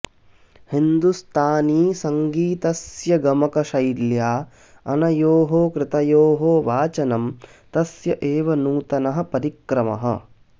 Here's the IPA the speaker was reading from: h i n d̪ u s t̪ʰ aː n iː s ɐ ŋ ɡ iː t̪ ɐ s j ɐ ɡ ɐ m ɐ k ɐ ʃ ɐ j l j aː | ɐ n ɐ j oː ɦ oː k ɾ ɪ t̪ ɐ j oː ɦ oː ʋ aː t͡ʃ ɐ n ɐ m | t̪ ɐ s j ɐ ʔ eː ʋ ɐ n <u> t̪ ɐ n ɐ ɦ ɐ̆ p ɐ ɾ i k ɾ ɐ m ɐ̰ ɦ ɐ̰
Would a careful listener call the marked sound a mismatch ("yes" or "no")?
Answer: yes